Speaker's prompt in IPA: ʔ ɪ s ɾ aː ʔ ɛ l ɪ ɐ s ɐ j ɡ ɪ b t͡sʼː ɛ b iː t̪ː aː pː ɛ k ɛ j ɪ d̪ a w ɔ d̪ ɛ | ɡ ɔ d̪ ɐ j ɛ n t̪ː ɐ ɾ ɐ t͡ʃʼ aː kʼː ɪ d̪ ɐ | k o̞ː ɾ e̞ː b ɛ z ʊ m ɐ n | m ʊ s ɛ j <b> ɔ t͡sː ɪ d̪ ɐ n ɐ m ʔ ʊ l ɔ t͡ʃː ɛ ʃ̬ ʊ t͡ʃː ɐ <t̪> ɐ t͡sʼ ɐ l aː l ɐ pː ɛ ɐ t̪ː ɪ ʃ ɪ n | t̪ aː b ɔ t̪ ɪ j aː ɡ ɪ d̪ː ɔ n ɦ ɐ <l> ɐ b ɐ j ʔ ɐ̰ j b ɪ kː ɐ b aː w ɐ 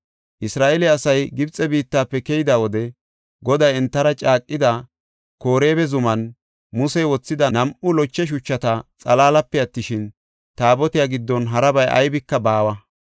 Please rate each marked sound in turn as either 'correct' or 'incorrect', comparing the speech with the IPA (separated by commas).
incorrect, correct, incorrect